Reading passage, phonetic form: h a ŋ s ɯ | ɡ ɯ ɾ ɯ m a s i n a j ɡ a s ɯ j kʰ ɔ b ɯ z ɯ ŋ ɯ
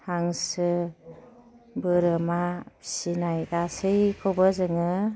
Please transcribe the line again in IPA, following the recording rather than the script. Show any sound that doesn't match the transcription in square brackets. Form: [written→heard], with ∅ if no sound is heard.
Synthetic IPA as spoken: h a ŋ s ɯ | [ɡ→b] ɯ ɾ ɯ m a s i n a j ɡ a s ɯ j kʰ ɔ b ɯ z ɯ ŋ ɯ

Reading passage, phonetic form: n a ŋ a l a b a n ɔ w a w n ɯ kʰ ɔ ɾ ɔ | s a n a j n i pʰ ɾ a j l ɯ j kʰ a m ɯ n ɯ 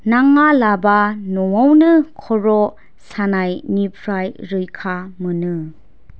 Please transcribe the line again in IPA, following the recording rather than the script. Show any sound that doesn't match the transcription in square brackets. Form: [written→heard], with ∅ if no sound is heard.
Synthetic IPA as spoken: n a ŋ a l a b a n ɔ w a w n ɯ kʰ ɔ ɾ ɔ | s a n a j n i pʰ ɾ a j [l→ɾ] ɯ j kʰ a m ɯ n ɯ

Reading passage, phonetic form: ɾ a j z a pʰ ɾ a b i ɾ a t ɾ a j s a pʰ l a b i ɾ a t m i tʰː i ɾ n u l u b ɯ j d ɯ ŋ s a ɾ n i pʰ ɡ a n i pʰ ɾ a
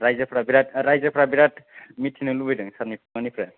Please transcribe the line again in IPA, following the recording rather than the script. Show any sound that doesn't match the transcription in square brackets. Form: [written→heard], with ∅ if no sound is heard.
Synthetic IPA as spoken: ɾ a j z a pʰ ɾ a b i ɾ a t ɾ a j [s→z] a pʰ [l→ɾ] a b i ɾ a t m i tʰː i [ɾ→∅] n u l u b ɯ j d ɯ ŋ s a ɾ n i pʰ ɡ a n i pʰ ɾ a

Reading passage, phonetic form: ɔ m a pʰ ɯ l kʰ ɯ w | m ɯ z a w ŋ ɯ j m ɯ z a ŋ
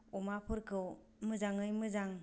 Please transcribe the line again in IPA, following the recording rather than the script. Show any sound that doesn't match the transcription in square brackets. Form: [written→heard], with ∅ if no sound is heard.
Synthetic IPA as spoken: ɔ m a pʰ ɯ [l→ɾ] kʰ ɯ w | m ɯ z a [w→∅] ŋ ɯ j m ɯ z a ŋ

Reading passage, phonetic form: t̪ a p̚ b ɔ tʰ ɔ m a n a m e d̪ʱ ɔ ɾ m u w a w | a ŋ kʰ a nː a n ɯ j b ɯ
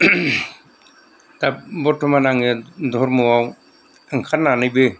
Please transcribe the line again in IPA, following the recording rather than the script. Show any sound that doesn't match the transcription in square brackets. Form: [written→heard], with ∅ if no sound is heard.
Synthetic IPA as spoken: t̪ a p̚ b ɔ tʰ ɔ m a n a [m→ŋ] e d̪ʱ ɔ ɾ m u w a w | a ŋ kʰ a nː a n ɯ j b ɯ

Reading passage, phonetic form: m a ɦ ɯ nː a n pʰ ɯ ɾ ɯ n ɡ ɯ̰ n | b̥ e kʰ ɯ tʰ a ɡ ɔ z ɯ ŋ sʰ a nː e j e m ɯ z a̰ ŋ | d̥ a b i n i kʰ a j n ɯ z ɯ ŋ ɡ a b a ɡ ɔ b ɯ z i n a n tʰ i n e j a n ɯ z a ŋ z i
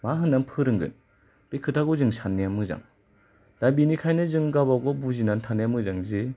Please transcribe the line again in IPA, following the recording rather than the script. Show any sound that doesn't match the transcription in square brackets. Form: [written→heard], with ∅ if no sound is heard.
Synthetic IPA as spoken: m a ɦ ɯ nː a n pʰ ɯ ɾ ɯ [n→ŋ] ɡ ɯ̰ n | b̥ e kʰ ɯ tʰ a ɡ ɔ z ɯ ŋ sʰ a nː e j [e→a] m ɯ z a̰ ŋ | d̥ a b i n i kʰ a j n ɯ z ɯ ŋ ɡ a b a ɡ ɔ b [ɯ→u] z i n a n tʰ [i→a] n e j a [n→m] ɯ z a ŋ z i

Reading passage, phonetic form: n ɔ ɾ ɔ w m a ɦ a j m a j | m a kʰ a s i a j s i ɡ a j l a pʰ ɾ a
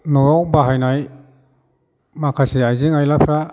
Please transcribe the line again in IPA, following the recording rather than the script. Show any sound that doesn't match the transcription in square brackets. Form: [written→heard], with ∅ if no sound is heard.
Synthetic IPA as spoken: n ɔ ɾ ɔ w [m→b] a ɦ a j [m→n] a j | m a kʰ a s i a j [s→z] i [ɡ→ŋ] a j l a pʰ ɾ a

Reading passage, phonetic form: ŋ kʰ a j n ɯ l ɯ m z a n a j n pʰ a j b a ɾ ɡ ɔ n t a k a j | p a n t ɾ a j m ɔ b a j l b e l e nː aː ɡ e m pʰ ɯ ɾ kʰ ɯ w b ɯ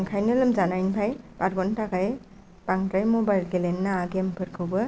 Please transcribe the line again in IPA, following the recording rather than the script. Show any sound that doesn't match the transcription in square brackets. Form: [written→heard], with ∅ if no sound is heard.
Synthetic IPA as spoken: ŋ kʰ a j n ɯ l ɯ m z a n a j n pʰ a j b a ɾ ɡ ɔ n t a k a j | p a [n→ŋ] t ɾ a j m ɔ b a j l [b→ɡ] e l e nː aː ɡ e m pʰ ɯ ɾ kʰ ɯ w b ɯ

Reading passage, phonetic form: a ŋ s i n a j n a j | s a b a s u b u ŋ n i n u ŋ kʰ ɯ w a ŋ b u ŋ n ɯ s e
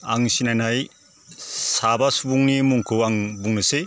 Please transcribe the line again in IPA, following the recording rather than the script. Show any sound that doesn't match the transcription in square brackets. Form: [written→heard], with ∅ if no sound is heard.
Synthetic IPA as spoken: a ŋ s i n a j n a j | s a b a s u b u ŋ n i [n→m] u ŋ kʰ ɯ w a ŋ b u ŋ n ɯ s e

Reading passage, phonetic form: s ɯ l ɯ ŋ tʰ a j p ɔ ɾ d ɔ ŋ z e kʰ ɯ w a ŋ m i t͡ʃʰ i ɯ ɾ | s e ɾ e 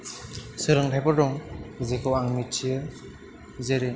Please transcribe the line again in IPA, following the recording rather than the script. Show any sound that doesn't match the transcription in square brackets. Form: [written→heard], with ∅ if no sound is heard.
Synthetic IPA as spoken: s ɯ [l→ɾ] ɯ ŋ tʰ a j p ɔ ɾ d ɔ ŋ z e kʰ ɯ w a ŋ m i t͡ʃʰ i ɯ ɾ | [s→z] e ɾ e

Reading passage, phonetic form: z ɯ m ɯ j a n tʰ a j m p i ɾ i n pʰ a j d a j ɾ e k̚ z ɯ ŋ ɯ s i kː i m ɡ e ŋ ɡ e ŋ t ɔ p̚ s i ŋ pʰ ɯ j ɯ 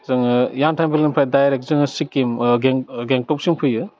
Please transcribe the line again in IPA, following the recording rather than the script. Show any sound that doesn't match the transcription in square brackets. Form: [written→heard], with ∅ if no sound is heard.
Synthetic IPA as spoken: z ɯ [m→ŋ] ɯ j a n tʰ a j m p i [ɾ→l] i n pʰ a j d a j ɾ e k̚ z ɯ ŋ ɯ s i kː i m ɡ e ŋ ɡ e ŋ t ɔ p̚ s i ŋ pʰ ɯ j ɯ

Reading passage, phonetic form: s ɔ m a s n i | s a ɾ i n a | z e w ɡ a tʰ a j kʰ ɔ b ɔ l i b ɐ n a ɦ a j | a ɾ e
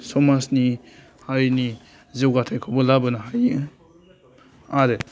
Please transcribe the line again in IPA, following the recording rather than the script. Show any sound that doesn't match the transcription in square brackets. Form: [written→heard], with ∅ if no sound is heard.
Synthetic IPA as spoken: s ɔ m a s n i | [s→h] a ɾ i n [a→i] | z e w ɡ a tʰ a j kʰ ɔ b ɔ l [i→a] b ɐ n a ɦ a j | a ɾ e

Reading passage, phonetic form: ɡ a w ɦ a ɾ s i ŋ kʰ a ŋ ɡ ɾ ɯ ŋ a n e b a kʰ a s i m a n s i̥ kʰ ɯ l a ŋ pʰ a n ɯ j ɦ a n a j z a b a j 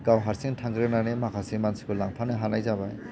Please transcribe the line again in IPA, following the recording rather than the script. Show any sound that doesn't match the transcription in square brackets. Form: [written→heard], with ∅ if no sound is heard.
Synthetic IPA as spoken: ɡ a w ɦ a ɾ s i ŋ [kʰ→tʰ] a ŋ ɡ ɾ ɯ [ŋ→n] a n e [b→m] a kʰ a s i m a n s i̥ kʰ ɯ l a ŋ pʰ a n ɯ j ɦ a n a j z a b a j

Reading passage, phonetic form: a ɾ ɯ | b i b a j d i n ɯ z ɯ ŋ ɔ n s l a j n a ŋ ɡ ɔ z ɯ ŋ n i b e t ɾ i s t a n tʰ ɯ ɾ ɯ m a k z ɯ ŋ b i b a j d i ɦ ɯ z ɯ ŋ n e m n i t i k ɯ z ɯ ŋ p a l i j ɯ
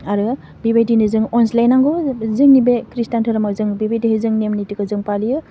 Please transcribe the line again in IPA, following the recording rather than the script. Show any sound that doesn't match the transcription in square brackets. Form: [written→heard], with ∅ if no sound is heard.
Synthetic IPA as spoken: a ɾ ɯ | b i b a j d i n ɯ z ɯ ŋ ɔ n s l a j n a ŋ ɡ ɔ z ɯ ŋ n i b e [t→k] ɾ i s t a n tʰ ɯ ɾ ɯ m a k z ɯ ŋ b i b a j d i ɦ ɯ z ɯ ŋ n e m n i t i k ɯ z ɯ ŋ p a l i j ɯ

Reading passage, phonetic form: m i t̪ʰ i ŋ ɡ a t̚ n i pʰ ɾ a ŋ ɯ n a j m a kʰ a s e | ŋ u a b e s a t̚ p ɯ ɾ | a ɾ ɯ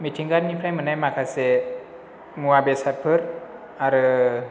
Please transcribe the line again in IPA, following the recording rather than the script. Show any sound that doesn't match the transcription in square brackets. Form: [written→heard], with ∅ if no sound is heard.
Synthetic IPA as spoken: m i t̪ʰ i ŋ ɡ a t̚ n i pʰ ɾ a [ŋ→m] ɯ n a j m a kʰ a s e | ŋ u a b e s a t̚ [p→pʰ] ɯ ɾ | a ɾ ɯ

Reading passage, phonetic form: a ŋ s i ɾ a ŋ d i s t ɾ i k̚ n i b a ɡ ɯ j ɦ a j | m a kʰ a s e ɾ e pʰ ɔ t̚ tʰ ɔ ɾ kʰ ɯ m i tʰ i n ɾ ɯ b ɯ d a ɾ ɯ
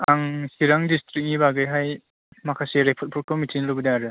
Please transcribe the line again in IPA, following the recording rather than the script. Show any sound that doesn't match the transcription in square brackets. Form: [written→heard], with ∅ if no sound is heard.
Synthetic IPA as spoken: a ŋ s i ɾ a ŋ d i s t ɾ i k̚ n i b a ɡ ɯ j ɦ a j | m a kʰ a s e ɾ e pʰ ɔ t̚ [tʰ→pʰ] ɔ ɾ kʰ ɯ m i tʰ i n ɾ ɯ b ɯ d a ɾ ɯ

